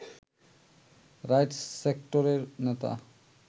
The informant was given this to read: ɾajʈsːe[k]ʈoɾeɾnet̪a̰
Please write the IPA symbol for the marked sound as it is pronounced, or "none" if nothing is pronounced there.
k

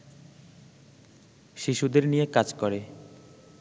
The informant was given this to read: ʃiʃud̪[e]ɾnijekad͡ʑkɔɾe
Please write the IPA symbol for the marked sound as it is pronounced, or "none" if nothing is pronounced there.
e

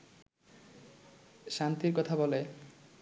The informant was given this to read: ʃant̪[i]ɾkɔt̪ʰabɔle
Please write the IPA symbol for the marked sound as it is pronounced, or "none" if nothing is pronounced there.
i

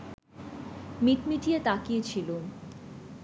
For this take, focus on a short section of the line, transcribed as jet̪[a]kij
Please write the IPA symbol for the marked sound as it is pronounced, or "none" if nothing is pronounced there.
a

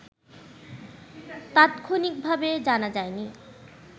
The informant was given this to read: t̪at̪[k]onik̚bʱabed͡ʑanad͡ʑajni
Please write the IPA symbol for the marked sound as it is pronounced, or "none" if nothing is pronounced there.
kʰ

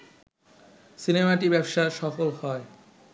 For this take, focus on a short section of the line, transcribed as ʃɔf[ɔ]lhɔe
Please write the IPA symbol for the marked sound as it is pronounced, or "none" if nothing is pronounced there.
o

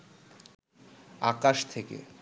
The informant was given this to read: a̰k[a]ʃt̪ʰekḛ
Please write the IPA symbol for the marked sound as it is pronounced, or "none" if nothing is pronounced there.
a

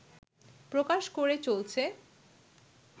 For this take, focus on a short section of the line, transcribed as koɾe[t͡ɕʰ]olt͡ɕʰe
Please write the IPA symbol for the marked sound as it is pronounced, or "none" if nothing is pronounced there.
t͡ɕ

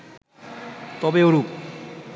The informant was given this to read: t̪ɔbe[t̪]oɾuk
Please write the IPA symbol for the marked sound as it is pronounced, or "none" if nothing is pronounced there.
none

